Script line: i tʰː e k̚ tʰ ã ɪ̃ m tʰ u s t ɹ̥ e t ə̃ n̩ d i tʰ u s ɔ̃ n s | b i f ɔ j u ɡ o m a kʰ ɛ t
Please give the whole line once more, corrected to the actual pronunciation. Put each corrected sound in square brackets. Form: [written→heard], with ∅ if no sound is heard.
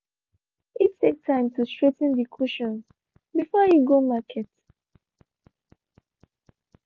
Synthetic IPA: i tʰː e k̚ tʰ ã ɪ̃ m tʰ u s t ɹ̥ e t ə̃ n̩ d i [tʰ→kʰ] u [s→ʃ] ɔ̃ n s | b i f ɔ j u ɡ o m a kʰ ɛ t

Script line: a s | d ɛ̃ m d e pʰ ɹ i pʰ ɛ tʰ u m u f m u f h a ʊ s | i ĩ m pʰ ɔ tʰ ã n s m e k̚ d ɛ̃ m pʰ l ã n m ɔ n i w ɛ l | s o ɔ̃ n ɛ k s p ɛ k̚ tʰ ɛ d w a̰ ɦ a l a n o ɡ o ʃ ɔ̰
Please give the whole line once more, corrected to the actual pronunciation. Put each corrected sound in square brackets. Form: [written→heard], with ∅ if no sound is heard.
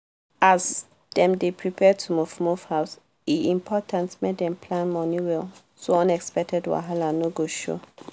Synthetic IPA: a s | d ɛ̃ m d e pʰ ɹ i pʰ ɛ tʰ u m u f m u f h a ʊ s | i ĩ m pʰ ɔ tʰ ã n [s→t] m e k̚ d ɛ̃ m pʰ l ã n m ɔ n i w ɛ l | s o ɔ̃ n ɛ k s p ɛ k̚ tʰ ɛ d w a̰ ɦ a l a n o ɡ o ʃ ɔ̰

